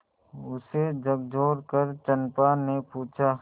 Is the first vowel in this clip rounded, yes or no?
yes